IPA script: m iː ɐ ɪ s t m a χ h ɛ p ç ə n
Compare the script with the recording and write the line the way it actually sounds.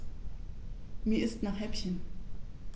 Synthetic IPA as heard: m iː ɐ ɪ s t n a χ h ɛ p ç ə n

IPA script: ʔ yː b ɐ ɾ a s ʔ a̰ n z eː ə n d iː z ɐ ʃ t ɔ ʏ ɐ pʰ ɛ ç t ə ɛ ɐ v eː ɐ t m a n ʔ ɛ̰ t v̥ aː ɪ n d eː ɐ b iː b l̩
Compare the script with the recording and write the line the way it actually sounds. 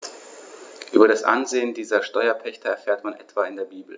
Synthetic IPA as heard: ʔ yː b ɐ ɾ a s ʔ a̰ n z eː ə n d iː z ɐ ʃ t ɔ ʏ ɐ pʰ ɛ ç t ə ɛ ɐ f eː ɐ t m a n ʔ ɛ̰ t v̥ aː ɪ n d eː ɐ b iː b l̩

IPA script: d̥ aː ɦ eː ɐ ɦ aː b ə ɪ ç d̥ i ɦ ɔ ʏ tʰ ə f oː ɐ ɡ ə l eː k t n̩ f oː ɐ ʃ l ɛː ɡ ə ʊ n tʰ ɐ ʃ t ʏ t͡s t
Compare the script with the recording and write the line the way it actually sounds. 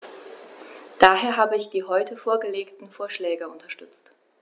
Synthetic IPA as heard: d̥ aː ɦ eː ɐ ɦ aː b ə ɪ ç d̥ iː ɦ ɔ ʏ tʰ ə f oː ɐ ɡ ə l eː k t n̩ f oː ɐ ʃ l ɛː ɡ ə ʊ n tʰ ɐ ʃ t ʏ t͡s t

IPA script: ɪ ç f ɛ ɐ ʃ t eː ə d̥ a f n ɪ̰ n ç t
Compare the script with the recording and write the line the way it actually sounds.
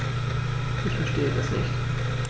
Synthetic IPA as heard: ɪ ç f ɛ ɐ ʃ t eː ə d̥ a s n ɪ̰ ç t

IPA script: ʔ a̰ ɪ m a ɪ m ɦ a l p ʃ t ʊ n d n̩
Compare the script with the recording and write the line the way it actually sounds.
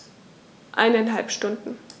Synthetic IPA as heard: ʔ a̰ ɪ n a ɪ n ɦ a l p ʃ t ʊ n d n̩

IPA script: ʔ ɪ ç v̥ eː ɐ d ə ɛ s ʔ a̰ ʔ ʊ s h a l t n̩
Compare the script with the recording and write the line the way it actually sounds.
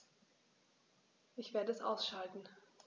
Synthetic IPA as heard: ʔ ɪ ç v̥ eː ɐ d ə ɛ s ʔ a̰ ʊ s ʃ a l t n̩

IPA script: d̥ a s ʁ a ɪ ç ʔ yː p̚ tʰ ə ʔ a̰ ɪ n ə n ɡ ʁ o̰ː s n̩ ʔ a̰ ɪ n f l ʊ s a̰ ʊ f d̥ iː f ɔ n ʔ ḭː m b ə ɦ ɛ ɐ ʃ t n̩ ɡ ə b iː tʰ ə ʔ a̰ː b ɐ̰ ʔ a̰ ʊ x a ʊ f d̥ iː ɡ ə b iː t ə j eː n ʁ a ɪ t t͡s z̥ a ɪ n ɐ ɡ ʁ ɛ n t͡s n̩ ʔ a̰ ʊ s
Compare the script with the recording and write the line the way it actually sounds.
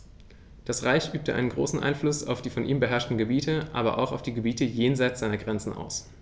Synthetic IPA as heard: d̥ a s ʁ a ɪ ç ʔ yː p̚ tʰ ə ʔ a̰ ɪ n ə n ɡ ʁ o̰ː s n̩ ʔ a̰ ɪ n f l ʊ s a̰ ʊ f d̥ iː f ɔ n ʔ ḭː m b ə ɦ ɛ ɐ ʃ t n̩ ɡ ə b iː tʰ ə ʔ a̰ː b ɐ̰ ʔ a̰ ʊ x a ʊ f d̥ iː ɡ ə b iː t ə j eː n z a ɪ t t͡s z̥ a ɪ n ɐ ɡ ʁ ɛ n t͡s n̩ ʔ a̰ ʊ s

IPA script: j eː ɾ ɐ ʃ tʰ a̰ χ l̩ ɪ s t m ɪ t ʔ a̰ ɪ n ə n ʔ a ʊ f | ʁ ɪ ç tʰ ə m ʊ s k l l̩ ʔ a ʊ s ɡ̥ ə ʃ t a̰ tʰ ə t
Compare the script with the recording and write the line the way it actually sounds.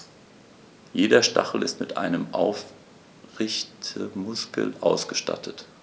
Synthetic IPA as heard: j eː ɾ ɐ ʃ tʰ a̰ χ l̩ ɪ s t m ɪ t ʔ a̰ ɪ n ə m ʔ a ʊ f | ʁ ɪ ç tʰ ə m ʊ s k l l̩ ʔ a ʊ s ɡ̥ ə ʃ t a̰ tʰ ə t

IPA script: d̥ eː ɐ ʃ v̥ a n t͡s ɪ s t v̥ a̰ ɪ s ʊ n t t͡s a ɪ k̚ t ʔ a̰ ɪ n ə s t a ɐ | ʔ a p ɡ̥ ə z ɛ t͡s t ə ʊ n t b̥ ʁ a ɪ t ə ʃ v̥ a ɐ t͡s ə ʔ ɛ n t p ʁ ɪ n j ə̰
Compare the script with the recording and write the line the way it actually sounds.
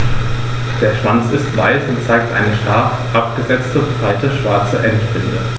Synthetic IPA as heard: d̥ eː ɐ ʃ v̥ a n t͡s ɪ s t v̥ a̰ ɪ s ʊ n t t͡s a ɪ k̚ t ʔ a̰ ɪ n ə ʃ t a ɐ | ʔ a p ɡ̥ ə z ɛ t͡s t ə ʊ n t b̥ ʁ a ɪ t ə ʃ v̥ a ɐ t͡s ə ʔ ɛ n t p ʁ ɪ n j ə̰

